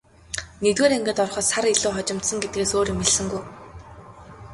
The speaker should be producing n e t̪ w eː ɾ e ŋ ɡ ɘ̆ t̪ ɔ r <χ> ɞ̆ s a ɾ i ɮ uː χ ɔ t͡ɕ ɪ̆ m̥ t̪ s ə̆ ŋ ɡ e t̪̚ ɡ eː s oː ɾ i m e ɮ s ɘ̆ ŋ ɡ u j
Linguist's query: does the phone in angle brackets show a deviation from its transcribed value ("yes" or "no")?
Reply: no